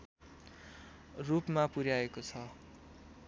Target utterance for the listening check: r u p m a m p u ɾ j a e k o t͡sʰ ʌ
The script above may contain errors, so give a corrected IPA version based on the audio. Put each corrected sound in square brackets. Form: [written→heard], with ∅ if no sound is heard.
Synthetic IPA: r u p m a [m→∅] p u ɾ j a e k o t͡sʰ ʌ